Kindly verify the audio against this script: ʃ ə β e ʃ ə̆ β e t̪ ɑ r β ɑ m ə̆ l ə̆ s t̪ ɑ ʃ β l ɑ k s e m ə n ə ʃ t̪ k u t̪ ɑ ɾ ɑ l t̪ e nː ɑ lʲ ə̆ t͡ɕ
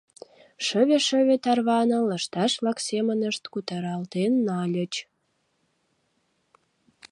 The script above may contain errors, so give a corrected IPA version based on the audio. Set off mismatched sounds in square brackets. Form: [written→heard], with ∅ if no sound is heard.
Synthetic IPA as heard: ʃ ə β e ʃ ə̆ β e t̪ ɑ r β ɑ [m→n] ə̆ l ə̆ [s→ʃ] t̪ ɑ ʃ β l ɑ k s e m ə n ə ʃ t̪ k u t̪ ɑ ɾ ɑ l t̪ e nː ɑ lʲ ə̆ t͡ɕ